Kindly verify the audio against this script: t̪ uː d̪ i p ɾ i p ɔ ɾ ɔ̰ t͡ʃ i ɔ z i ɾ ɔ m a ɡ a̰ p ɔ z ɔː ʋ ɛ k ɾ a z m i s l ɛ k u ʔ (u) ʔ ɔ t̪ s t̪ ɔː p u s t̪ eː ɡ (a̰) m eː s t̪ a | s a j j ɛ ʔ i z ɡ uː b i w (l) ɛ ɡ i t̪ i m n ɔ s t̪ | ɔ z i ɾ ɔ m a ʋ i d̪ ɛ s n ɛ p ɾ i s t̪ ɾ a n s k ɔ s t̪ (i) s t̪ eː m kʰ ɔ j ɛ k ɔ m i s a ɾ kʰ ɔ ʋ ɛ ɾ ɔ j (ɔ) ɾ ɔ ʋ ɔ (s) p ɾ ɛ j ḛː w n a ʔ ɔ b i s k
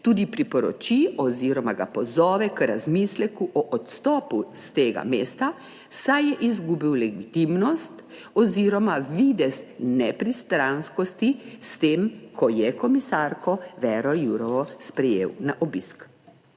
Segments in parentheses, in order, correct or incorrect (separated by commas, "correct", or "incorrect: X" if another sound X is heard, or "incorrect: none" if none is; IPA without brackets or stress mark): incorrect: ɔ, correct, correct, correct, incorrect: u, correct